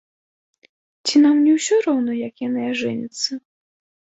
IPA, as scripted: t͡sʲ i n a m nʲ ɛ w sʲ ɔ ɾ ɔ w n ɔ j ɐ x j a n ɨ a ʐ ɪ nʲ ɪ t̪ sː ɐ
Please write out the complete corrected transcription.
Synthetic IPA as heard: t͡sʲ i n a m nʲ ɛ w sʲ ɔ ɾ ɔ w n ɔ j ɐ k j a n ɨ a ʐ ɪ nʲ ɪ t̪ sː ɐ